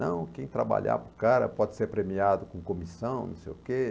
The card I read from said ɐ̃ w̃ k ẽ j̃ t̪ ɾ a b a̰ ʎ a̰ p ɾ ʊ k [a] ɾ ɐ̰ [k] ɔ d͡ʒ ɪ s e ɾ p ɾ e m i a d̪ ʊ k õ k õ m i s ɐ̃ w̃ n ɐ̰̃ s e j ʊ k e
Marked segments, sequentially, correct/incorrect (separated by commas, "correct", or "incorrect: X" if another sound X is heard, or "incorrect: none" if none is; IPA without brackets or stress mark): correct, incorrect: p